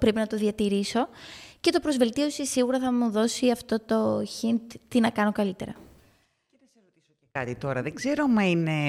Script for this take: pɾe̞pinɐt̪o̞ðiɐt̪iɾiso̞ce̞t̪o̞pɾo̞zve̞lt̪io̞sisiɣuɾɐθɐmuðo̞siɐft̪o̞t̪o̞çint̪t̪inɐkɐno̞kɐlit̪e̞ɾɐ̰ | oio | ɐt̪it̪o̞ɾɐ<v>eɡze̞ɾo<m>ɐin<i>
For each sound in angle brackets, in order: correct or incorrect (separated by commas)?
incorrect, correct, incorrect